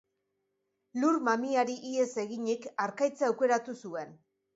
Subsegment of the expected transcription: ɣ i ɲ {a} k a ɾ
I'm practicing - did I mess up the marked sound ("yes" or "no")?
yes